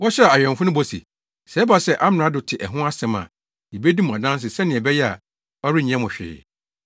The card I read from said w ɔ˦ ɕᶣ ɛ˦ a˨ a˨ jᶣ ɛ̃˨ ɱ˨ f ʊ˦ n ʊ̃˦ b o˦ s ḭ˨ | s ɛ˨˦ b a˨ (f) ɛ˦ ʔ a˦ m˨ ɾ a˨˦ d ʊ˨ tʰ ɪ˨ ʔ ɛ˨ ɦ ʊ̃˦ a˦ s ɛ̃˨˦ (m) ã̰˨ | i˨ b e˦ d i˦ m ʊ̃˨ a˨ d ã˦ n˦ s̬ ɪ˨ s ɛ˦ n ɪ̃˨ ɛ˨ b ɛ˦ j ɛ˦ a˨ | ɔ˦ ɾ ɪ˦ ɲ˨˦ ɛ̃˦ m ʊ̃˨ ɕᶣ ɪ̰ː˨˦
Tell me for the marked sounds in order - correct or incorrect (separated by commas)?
incorrect, correct